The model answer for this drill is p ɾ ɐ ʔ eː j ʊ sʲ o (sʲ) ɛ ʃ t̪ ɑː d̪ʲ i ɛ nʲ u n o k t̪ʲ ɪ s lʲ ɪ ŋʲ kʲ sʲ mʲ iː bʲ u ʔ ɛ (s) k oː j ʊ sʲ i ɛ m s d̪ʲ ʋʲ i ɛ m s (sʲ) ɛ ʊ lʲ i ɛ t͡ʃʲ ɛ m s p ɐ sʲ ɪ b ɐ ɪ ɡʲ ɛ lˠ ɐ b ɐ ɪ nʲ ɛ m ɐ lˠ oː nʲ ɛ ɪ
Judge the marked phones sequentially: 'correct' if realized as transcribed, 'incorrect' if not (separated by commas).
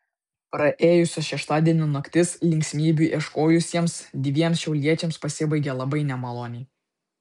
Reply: incorrect, incorrect, incorrect